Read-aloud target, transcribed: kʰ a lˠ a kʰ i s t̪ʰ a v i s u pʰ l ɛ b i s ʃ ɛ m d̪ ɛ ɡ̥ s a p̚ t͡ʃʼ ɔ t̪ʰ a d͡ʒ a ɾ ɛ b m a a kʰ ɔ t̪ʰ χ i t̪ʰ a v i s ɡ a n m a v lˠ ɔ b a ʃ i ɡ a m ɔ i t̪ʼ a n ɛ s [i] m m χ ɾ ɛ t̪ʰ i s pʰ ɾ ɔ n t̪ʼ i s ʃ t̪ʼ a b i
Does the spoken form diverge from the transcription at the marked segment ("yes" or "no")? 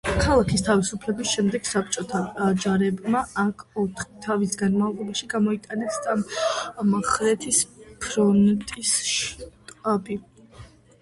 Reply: yes